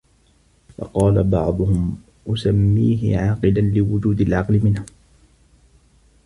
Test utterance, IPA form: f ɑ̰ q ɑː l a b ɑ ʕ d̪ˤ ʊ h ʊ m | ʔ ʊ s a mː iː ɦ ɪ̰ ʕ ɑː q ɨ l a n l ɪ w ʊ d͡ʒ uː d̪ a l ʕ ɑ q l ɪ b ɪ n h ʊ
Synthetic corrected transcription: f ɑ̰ q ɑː l a b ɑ ʕ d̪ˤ ʊ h ʊ m | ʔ ʊ s a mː iː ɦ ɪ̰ ʕ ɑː q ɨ l a n l ɪ w ʊ d͡ʒ uː d̪ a l ʕ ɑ q l ɪ m ɪ n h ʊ